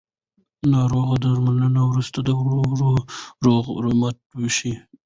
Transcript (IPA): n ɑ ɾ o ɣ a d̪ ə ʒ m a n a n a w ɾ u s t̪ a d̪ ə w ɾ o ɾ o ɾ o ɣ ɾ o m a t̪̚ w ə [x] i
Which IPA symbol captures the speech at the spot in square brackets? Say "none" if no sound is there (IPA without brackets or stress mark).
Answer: ʃ